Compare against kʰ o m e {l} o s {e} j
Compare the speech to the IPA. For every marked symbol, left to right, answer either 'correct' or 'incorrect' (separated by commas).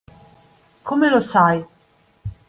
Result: correct, incorrect